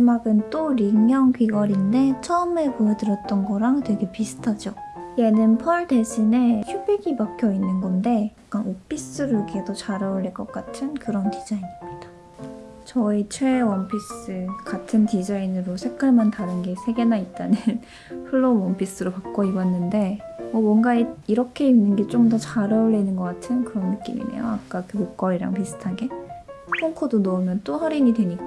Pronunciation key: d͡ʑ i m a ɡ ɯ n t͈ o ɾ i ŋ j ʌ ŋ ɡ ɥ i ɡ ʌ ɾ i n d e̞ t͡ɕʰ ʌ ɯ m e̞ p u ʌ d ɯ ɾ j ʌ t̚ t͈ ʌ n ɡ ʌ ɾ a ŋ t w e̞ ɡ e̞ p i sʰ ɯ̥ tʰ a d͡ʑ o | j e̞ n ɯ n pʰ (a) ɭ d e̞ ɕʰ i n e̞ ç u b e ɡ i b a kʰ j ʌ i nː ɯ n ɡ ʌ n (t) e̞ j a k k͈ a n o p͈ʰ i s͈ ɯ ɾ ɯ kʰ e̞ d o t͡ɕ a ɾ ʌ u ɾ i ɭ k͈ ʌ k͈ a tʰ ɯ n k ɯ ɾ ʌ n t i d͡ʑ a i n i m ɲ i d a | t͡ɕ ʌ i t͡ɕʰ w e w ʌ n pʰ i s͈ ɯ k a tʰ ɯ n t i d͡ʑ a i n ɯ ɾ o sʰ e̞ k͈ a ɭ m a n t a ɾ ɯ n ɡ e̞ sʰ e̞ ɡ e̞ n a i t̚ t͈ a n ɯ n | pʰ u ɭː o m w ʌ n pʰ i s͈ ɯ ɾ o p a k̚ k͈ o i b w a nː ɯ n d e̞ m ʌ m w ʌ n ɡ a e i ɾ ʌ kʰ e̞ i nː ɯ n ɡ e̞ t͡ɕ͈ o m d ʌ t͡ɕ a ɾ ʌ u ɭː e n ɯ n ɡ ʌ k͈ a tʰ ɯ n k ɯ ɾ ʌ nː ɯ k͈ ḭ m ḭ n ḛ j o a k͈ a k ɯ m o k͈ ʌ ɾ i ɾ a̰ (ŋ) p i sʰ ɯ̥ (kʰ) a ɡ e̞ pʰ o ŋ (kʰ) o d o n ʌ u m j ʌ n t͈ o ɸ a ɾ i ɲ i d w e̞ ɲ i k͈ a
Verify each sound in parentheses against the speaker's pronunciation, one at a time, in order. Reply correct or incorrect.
incorrect, incorrect, correct, incorrect, correct

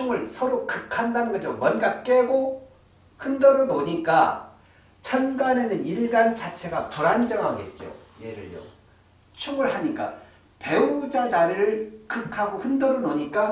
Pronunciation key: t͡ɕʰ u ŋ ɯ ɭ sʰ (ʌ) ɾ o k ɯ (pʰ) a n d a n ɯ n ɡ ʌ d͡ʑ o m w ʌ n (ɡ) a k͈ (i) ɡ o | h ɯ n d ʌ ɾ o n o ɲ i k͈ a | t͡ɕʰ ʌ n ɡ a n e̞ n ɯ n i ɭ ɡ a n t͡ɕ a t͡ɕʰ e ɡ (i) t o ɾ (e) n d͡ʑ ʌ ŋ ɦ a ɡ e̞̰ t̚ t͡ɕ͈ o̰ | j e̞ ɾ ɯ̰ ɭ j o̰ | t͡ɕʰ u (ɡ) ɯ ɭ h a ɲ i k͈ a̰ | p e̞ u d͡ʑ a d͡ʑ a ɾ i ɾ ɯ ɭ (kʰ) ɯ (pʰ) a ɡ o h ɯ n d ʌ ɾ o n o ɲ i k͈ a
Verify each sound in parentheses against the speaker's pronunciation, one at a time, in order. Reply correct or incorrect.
correct, incorrect, correct, incorrect, incorrect, incorrect, incorrect, incorrect, incorrect

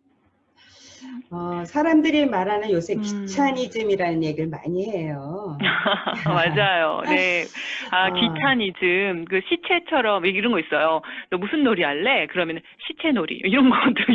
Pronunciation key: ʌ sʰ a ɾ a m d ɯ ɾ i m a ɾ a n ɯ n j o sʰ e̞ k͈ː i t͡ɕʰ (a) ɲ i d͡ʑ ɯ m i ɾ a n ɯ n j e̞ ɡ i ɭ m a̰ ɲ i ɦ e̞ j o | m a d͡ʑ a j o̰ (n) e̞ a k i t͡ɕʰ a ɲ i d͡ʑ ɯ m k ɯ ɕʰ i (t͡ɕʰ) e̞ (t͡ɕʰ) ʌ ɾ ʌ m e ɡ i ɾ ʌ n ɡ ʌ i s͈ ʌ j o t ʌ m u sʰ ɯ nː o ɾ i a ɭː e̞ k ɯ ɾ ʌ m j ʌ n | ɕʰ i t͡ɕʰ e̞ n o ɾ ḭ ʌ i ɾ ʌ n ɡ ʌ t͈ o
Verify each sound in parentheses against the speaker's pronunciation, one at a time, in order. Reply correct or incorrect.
correct, correct, correct, correct

